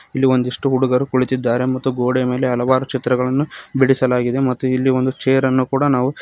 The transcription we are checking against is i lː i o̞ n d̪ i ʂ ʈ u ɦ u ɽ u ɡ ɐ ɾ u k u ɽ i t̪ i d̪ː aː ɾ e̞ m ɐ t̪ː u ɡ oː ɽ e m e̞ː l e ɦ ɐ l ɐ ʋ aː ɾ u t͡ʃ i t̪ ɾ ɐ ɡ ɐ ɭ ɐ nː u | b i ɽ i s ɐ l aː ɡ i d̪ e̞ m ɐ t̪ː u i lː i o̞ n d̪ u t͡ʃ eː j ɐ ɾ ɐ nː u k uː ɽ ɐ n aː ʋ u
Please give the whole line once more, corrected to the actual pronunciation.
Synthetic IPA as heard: i lː i o̞ n d̪ i ʂ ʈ u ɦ u ɽ u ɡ ɐ ɾ u k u ɭ i t̪ i d̪ː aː ɾ e̞ m ɐ t̪ː u ɡ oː ɽ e m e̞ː l e ɦ ɐ l ɐ ʋ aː ɾ u t͡ʃ i t̪ ɾ ɐ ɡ ɐ ɭ ɐ nː u | b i ɽ i s ɐ l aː ɡ i d̪ e̞ m ɐ t̪ː u i lː i o̞ n d̪ u t͡ʃ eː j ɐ ɾ ɐ nː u k uː ɽ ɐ n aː ʋ u